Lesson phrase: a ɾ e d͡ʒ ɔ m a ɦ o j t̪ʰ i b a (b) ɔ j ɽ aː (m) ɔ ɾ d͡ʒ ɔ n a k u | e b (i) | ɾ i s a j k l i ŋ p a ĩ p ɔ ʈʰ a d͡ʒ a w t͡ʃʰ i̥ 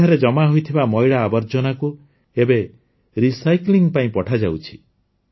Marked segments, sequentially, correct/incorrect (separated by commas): incorrect, incorrect, incorrect